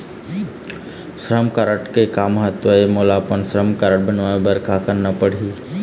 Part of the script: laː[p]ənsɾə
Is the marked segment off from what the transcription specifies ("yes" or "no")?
no